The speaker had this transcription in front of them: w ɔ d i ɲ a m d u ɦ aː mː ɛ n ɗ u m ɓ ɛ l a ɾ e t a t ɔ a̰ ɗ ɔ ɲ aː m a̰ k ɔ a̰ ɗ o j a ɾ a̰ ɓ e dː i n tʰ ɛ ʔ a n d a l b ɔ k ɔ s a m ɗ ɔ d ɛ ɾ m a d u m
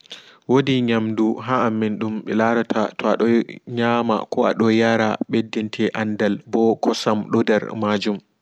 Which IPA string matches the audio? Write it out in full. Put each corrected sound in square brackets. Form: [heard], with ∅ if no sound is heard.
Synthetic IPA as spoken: w [o] d i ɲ a m d u ɦ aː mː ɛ n ɗ u m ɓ ɛ l a ɾ [a] t a t ɔ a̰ ɗ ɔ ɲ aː m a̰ k ɔ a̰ ɗ [ɔ] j a ɾ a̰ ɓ e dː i n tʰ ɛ ʔ a n d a l b ɔ k ɔ s a m ɗ ɔ d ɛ ɾ m a [d͡ʒ] u m